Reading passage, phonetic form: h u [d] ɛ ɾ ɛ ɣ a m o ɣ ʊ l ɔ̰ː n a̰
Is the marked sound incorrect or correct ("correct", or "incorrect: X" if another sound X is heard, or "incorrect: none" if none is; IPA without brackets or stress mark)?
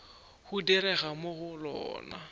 correct